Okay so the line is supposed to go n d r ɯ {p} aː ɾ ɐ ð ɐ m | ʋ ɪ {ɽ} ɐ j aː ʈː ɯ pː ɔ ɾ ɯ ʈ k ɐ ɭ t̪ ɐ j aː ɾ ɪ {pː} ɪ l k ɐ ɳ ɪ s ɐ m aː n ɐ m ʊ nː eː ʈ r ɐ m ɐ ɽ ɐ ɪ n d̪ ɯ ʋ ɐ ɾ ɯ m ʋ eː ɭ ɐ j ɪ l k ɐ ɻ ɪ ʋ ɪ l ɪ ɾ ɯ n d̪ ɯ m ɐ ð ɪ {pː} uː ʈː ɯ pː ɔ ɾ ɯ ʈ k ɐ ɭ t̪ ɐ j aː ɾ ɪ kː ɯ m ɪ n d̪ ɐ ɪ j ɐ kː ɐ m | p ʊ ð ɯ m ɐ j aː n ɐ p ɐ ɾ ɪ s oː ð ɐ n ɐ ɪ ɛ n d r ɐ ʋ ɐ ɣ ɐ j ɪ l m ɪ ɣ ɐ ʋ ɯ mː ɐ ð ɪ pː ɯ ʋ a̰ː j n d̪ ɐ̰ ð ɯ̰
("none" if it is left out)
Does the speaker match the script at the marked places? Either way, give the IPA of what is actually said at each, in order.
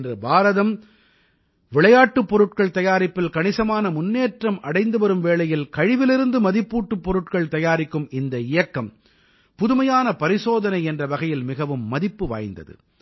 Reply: b, ɭ, pː, pː

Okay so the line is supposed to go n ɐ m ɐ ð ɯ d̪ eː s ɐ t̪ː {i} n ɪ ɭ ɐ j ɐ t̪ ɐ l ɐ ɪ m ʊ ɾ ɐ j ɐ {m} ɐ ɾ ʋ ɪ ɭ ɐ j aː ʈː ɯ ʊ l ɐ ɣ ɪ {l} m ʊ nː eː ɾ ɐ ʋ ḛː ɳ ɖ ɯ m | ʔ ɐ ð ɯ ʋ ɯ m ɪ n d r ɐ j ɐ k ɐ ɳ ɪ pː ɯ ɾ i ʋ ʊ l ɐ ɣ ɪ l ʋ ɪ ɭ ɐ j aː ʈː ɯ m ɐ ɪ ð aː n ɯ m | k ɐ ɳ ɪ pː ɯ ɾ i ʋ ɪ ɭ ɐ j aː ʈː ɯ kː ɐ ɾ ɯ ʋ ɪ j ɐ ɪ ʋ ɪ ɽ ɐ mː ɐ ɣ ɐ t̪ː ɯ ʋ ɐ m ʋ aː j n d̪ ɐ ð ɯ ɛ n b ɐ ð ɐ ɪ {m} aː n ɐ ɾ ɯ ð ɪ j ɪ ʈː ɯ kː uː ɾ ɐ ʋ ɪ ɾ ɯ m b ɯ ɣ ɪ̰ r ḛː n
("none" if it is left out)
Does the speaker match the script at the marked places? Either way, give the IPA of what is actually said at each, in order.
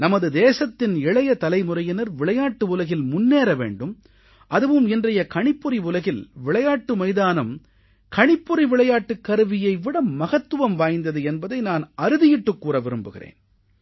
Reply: ɪ, n, l, n

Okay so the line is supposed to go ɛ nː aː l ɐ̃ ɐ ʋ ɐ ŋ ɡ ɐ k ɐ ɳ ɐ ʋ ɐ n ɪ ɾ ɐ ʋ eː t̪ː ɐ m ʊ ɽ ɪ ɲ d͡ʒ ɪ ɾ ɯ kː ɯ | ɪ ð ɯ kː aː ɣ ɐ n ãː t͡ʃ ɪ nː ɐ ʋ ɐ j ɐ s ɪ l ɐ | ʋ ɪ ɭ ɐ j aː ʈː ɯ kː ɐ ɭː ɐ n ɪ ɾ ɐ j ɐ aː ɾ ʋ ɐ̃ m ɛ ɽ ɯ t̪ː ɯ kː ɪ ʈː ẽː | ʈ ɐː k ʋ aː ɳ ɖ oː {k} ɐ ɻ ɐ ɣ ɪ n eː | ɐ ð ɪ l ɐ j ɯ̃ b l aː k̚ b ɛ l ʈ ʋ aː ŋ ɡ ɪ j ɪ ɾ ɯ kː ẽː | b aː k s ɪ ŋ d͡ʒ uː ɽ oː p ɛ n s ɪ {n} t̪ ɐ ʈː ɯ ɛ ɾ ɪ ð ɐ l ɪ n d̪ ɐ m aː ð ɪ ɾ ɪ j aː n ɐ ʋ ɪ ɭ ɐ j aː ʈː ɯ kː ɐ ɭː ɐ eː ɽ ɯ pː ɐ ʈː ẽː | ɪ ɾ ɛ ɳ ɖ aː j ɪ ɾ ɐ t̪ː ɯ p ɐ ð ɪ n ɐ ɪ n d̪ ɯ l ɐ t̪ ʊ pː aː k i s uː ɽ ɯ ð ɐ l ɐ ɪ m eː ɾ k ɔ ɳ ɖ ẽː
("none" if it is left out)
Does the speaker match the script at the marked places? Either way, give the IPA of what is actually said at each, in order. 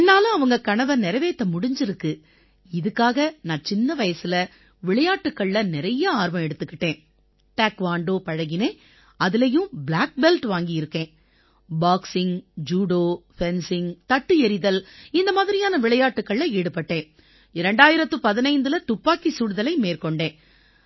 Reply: p, ŋ

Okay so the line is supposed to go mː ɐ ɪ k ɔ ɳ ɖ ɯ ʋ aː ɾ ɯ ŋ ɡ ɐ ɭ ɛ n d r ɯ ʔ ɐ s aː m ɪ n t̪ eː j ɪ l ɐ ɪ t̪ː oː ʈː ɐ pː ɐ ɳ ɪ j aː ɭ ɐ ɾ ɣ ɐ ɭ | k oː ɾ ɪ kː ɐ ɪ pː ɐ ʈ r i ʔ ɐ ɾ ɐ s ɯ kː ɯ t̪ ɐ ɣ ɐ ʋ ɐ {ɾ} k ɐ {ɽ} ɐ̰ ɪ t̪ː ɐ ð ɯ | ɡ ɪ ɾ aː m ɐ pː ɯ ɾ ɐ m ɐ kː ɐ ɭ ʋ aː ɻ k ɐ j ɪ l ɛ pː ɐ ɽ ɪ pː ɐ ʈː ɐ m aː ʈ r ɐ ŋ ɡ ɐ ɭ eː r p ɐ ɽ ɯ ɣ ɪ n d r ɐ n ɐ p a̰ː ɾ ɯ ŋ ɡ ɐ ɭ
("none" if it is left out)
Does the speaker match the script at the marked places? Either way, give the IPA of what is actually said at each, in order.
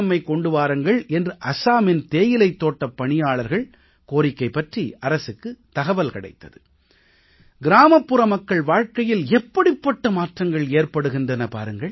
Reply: l, ɽ

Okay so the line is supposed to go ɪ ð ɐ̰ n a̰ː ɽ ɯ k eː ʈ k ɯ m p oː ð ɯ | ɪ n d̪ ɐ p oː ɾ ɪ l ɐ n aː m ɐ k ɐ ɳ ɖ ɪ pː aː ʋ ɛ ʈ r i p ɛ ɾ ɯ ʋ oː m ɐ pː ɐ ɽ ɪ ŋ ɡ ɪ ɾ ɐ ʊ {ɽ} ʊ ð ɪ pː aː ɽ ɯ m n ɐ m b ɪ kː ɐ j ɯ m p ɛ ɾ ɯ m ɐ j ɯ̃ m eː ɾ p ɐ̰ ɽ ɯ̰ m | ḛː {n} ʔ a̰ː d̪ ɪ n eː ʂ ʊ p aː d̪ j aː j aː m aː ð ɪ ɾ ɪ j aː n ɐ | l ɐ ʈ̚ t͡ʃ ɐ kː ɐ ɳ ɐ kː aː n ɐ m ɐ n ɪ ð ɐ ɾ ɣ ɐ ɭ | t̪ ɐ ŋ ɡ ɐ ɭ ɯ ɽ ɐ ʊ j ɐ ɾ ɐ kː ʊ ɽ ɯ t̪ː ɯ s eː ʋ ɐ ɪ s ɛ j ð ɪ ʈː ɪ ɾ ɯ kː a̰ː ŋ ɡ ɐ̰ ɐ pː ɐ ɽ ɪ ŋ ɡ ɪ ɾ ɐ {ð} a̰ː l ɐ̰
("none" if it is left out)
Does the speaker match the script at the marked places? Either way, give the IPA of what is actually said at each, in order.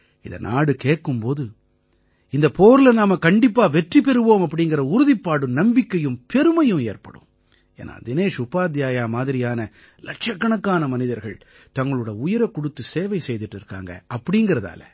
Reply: ɾ, n, ð

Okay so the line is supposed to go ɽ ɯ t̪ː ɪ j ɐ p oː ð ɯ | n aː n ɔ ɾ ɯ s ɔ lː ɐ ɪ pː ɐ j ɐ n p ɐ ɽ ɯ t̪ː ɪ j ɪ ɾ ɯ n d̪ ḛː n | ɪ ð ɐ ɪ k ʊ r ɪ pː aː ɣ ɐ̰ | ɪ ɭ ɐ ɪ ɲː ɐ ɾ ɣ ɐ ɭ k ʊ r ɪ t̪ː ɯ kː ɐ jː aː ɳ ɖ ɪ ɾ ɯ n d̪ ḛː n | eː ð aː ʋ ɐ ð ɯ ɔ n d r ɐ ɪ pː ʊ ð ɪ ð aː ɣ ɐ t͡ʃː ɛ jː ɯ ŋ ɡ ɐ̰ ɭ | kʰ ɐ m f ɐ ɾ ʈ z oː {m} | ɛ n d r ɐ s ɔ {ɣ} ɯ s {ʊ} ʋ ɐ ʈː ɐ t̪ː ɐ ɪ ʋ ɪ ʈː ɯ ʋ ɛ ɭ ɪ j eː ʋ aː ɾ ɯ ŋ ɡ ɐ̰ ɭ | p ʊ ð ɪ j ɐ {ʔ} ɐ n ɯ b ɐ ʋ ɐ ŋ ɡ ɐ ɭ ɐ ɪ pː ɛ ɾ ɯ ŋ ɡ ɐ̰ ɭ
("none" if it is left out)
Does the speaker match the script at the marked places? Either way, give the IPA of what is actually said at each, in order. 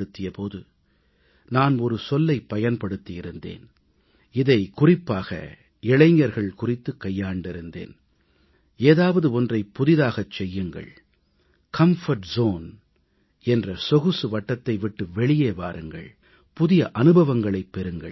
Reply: n, ɣ, ɯ, ʔ

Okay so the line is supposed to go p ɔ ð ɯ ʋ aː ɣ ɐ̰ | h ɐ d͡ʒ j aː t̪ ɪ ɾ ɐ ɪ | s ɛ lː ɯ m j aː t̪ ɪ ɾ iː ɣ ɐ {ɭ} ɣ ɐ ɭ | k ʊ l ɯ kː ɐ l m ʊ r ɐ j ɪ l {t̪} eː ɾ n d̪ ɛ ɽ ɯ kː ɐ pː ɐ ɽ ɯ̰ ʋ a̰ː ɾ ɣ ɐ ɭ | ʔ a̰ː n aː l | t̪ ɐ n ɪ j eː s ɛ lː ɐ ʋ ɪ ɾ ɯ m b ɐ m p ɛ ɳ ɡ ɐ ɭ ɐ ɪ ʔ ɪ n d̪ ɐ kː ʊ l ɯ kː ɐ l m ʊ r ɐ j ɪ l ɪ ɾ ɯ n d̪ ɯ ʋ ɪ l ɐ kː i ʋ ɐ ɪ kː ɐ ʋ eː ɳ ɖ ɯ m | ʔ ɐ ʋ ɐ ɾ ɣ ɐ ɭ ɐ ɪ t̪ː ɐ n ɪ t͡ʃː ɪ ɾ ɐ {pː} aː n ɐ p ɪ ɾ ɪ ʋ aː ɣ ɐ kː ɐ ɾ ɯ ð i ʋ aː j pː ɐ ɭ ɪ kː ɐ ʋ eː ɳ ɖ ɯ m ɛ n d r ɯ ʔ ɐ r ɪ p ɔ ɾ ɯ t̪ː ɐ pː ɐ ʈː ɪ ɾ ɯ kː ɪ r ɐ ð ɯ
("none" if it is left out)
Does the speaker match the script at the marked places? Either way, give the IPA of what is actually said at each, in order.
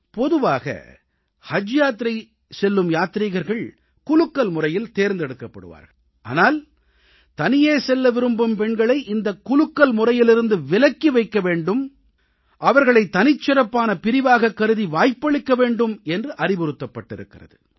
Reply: ɾ, t̪, pː

